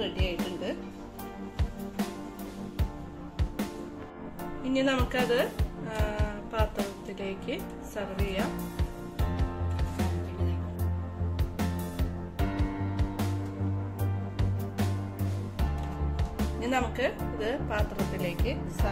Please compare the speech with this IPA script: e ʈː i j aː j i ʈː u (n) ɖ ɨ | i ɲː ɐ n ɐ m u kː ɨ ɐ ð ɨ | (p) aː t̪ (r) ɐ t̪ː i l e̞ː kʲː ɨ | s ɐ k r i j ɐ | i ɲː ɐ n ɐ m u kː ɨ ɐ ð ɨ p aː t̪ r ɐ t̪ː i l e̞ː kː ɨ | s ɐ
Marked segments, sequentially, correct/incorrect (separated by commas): incorrect, correct, correct